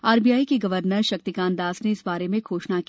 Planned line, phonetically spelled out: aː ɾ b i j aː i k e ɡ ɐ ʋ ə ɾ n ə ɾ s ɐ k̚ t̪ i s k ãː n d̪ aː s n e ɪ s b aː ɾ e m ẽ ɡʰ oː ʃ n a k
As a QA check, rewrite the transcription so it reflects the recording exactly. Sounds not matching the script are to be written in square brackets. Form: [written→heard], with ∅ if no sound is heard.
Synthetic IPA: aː ɾ b i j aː i k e ɡ ɐ ʋ ə ɾ n ə ɾ [s→ʃ] ɐ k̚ t̪ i [s→∅] k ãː n d̪ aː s n e ɪ s b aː ɾ e m ẽ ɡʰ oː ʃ n a k

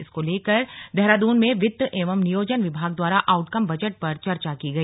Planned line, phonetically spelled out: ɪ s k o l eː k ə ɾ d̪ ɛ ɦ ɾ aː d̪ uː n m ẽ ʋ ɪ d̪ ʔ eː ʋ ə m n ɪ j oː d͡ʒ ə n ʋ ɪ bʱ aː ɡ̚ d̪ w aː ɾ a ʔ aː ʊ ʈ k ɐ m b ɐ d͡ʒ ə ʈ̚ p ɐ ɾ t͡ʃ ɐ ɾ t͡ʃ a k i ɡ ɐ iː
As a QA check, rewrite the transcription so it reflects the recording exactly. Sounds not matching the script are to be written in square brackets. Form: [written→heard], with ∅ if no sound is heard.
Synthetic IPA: ɪ s k o l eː k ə ɾ d̪ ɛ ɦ ɾ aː d̪ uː n m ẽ ʋ ɪ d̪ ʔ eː ʋ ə m n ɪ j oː d͡ʒ ə n ʋ ɪ bʱ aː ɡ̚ d̪ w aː ɾ a ʔ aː ʊ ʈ k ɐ m b ɐ d͡ʒ ə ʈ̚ p ɐ ɾ t͡ʃ ɐ ɾ t͡ʃ a k i ɡ ɐ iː

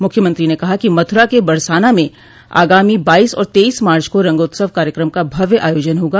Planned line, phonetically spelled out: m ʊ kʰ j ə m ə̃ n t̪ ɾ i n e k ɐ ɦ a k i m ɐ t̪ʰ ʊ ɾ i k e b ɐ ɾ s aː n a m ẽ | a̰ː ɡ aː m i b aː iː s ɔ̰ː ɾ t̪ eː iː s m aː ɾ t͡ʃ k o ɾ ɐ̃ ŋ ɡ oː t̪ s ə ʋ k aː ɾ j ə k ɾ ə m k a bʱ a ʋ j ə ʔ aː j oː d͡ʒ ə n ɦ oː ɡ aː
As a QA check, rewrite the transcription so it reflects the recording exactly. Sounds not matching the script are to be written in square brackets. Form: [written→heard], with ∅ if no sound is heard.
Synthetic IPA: m ʊ kʰ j ə m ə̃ n t̪ ɾ i n e k ɐ ɦ a k i m ɐ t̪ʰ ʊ ɾ [i→a] k e b ɐ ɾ s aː n a m ẽ | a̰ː ɡ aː m i b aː iː s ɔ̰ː ɾ t̪ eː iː s m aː ɾ t͡ʃ k o ɾ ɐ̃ ŋ ɡ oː t̪ s ə ʋ k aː ɾ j ə k ɾ ə m k a bʱ [a→ɐ] ʋ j ə ʔ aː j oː d͡ʒ ə n ɦ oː ɡ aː

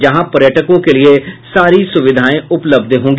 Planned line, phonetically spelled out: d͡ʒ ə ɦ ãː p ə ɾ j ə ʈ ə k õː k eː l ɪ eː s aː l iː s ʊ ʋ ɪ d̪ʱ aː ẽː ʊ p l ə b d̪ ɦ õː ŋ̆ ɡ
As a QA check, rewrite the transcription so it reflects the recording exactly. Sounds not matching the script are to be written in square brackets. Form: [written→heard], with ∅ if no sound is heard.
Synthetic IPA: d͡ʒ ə ɦ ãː p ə ɾ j ə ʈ ə k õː k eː l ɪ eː s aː [l→ɾ] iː s ʊ ʋ ɪ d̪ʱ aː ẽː ʊ p l ə b d̪ ɦ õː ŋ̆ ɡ

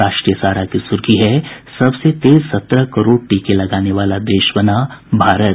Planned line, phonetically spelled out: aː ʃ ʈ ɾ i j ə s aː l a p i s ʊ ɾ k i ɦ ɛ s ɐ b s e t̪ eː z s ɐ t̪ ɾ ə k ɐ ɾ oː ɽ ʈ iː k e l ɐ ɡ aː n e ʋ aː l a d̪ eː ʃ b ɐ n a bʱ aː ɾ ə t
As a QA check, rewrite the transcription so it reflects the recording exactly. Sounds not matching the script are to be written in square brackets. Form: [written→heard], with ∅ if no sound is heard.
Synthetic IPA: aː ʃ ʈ ɾ i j ə s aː [l→ɾ] a [p→k] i s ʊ ɾ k i ɦ ɛ s ɐ b s e t̪ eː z s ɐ t̪ ɾ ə k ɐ ɾ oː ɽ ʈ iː k e l ɐ ɡ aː n e ʋ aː l a d̪ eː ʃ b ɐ n a bʱ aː ɾ ə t

